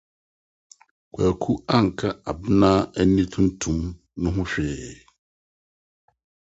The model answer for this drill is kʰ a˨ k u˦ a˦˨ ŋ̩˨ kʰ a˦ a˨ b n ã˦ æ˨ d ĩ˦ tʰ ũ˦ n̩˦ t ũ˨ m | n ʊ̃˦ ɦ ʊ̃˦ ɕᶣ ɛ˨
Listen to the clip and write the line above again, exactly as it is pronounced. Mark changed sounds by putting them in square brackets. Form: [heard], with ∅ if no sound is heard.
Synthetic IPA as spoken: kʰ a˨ [kʰ] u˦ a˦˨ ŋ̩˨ kʰ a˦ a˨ b n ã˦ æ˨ [n] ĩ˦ tʰ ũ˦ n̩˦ [tʰ] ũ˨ m | n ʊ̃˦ ɦ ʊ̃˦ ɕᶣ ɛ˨